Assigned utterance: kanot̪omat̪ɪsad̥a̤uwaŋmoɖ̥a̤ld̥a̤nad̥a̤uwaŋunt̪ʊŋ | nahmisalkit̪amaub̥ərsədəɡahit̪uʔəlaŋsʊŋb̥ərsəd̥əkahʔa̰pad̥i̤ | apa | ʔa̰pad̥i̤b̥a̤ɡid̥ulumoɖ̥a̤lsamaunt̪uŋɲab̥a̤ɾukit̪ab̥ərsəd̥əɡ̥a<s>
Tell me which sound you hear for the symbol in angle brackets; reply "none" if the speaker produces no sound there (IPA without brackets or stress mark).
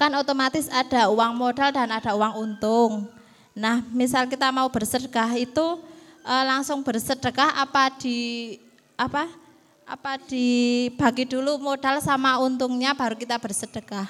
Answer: h